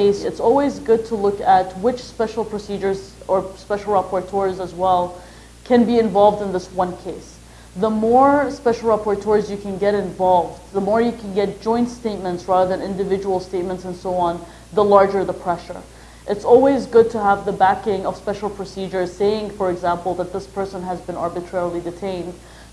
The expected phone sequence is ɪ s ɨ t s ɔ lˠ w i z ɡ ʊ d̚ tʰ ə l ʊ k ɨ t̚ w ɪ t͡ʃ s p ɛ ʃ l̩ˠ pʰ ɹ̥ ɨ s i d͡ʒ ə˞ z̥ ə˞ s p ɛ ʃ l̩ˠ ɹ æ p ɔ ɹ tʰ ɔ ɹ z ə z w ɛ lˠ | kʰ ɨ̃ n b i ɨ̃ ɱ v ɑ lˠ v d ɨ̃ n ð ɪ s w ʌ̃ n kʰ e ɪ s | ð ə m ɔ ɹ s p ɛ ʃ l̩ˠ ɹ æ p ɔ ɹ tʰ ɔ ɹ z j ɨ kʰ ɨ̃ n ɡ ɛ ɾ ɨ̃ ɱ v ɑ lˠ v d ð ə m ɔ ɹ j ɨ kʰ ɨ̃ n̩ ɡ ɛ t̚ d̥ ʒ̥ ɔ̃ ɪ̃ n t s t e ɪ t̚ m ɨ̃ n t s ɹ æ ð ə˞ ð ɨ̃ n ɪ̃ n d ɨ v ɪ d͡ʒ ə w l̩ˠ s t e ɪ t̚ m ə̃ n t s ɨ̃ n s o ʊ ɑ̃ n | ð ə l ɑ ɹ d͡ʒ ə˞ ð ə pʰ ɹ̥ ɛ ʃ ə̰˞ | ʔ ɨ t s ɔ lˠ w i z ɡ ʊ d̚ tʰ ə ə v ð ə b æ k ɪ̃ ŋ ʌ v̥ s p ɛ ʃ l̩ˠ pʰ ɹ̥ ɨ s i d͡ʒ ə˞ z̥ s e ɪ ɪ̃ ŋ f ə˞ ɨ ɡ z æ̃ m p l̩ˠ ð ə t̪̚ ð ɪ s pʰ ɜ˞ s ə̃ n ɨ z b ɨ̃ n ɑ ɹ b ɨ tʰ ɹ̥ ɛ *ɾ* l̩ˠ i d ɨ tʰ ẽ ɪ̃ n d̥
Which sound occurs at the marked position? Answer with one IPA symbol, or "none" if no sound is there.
ɹ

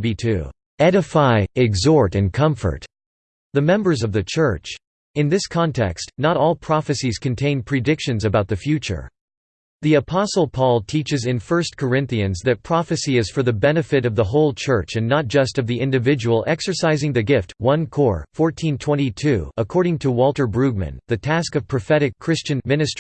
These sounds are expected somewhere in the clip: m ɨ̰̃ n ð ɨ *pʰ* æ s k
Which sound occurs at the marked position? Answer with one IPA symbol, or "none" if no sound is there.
tʰ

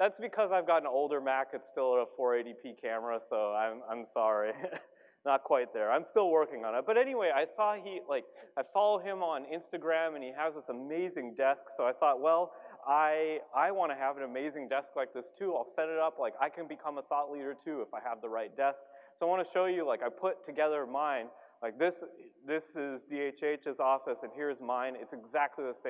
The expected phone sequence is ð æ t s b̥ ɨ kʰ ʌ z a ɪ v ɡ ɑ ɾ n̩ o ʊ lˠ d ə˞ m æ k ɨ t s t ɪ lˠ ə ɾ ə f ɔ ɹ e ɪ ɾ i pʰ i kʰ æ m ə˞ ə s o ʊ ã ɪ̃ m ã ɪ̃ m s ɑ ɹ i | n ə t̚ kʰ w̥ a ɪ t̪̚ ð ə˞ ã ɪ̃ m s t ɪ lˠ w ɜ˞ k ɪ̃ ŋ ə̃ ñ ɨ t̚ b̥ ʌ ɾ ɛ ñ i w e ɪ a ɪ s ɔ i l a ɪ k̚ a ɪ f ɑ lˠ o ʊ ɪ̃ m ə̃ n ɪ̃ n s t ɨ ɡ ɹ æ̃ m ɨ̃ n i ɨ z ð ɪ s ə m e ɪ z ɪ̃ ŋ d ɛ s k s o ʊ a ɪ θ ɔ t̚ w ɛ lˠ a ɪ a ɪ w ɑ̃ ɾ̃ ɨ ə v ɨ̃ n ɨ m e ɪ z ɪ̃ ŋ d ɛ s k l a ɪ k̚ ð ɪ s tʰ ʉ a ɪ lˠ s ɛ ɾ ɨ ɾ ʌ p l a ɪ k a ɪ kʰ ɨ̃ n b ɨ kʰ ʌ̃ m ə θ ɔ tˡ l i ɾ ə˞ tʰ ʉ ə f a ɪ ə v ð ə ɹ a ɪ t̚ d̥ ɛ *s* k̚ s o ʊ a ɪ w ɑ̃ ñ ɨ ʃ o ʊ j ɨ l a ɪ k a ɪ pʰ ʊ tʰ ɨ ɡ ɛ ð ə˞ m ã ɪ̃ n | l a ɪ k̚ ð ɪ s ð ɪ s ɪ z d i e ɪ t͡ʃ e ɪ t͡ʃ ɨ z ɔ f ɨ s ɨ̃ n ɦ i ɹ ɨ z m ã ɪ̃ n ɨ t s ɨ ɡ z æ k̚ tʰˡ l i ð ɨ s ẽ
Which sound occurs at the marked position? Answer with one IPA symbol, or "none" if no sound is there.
s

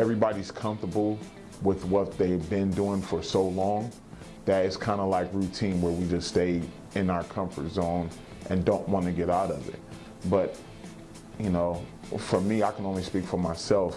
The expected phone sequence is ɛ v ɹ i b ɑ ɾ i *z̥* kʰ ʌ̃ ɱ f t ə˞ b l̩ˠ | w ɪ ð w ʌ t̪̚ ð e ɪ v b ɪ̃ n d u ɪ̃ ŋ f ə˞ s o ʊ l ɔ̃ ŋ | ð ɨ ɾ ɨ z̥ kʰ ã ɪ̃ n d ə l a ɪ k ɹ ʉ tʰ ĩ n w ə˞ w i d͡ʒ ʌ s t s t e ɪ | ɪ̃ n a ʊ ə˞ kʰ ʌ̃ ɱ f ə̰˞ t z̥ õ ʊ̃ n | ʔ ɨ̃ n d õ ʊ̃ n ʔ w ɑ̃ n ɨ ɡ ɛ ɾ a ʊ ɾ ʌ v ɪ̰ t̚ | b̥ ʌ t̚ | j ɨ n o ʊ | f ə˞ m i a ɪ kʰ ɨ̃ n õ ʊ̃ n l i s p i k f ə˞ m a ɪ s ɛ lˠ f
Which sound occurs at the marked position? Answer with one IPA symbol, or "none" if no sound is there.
z̥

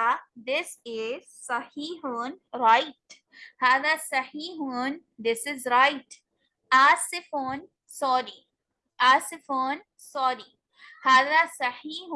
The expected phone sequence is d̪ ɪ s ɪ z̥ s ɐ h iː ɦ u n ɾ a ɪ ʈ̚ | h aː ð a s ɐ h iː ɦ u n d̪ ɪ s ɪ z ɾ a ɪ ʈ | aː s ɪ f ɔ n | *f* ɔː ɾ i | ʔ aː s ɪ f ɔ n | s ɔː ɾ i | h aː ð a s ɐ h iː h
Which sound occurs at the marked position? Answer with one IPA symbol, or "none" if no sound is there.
s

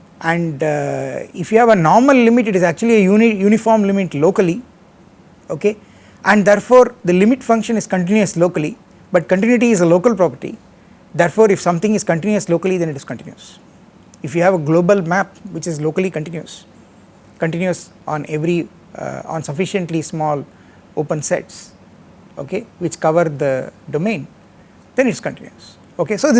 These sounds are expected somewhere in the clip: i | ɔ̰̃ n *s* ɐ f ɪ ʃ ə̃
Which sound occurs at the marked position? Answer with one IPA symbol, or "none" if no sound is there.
s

